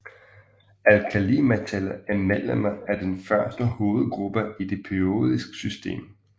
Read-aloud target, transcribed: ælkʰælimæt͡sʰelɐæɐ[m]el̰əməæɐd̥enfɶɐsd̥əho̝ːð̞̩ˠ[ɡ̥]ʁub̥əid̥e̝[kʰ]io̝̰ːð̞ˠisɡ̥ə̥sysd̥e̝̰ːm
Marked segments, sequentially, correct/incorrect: correct, correct, incorrect: pʰ

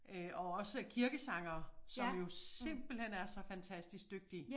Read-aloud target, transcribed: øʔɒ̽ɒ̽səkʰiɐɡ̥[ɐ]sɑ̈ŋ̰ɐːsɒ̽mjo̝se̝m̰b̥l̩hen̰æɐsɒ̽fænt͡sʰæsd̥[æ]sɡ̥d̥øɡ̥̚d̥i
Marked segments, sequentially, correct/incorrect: incorrect: ə, incorrect: i

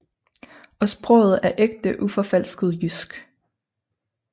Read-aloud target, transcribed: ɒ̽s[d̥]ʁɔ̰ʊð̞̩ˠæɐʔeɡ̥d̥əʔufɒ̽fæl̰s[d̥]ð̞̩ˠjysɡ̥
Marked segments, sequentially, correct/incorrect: incorrect: b̥, incorrect: ɡ̥

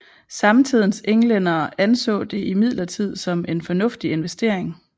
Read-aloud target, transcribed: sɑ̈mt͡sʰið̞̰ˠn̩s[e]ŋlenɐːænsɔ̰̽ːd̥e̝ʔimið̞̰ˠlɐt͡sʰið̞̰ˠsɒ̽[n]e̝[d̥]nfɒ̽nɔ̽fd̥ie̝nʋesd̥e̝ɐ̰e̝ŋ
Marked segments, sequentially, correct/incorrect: correct, incorrect: m, incorrect: none

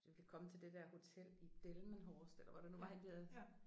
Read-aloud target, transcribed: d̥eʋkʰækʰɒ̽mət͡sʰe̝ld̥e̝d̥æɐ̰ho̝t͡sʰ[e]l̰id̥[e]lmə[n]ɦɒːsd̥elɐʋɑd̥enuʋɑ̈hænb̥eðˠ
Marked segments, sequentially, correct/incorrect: correct, correct, correct

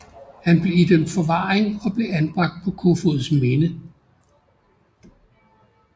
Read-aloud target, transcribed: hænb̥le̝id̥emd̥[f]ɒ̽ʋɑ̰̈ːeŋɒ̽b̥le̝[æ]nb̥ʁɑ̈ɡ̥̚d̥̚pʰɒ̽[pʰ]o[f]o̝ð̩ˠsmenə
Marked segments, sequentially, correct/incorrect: correct, correct, incorrect: kʰ, correct

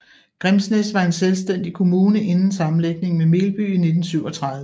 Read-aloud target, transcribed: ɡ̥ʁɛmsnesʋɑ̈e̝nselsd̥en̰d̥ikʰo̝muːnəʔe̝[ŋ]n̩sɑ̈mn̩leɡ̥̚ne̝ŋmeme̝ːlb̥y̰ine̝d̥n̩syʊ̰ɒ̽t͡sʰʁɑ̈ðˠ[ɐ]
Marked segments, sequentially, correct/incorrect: incorrect: n, incorrect: ə

